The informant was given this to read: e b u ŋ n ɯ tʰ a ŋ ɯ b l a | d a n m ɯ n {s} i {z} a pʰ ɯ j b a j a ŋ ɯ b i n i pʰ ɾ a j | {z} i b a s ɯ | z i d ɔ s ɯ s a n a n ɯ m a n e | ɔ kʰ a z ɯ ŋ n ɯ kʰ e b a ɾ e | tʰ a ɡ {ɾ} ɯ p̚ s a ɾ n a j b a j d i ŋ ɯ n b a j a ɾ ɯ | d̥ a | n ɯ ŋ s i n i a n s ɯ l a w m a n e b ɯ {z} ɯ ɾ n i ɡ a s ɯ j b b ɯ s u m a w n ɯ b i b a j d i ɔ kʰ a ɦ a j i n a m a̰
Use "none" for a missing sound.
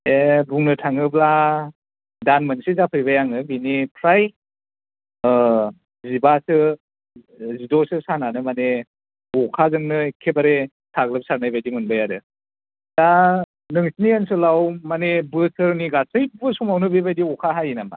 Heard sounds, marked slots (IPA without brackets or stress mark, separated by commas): s, z, z, l, s